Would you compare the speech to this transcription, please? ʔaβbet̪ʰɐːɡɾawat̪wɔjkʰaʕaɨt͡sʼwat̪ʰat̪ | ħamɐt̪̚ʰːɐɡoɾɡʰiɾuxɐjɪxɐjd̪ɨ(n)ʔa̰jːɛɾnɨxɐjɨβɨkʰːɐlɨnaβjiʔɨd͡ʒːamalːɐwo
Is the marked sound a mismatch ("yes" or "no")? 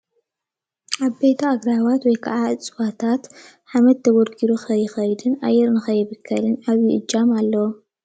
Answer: no